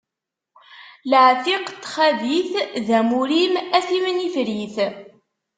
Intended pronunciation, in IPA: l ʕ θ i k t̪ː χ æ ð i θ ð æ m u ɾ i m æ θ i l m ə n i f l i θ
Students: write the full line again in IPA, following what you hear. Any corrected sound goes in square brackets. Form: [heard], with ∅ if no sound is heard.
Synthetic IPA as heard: l ʕ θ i [q] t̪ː χ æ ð i θ ð æ m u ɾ i m æ θ i [∅] m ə n i f [ɾ] i θ